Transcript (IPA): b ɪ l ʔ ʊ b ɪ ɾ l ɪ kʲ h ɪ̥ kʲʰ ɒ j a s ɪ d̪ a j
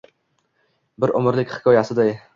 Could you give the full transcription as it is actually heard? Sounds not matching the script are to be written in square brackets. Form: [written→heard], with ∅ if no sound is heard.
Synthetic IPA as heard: b ɪ [l→ɾ] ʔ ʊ [b→m] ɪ ɾ l ɪ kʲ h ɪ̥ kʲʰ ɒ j a s ɪ d̪ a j